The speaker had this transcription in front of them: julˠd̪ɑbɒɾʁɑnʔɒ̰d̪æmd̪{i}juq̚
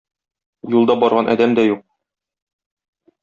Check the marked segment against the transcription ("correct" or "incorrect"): incorrect